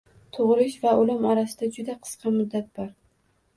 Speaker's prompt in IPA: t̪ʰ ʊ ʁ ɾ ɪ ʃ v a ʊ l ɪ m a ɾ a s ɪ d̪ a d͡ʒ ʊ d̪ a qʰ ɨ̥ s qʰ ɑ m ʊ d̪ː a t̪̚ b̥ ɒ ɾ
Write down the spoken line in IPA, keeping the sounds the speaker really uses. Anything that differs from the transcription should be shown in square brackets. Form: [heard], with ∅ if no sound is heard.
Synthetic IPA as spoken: t̪ʰ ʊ ʁ ɾ ɪ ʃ v a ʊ l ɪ m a ɾ a s ɪ d̪ a d͡ʒ ʊ d̪ a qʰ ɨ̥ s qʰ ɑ m ʊ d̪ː a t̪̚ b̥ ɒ ɾ